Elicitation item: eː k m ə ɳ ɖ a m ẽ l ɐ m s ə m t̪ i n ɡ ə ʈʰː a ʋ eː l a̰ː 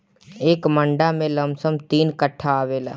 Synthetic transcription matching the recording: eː k m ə ɳ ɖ a m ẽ l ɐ m s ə m t̪ iː n k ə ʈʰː a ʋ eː l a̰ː